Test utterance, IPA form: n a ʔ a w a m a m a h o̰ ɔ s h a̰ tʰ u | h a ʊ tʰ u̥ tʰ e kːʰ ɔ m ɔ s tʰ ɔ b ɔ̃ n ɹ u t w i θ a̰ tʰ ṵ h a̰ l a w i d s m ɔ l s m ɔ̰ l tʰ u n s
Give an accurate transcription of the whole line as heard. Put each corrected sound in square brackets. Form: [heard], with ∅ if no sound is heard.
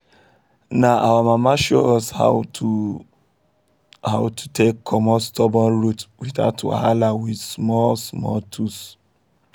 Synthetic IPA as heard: n a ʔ a w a m a m a [ʃ] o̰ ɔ s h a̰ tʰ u | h a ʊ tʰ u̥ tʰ e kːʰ ɔ m ɔ s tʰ ɔ b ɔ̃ n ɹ u t w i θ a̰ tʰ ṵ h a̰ l a w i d s m ɔ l s m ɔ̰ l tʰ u [∅] s